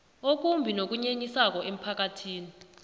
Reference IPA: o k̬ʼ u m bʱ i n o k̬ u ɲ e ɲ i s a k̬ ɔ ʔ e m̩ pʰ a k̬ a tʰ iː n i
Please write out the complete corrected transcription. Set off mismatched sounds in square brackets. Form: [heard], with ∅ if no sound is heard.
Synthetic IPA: o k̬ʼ u m bʱ i n o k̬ u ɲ e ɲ i s a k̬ ɔ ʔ e m̩ pʰ a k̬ a tʰ iː n i